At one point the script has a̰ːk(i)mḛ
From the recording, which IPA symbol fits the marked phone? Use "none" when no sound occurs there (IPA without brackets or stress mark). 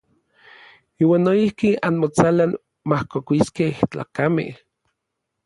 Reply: a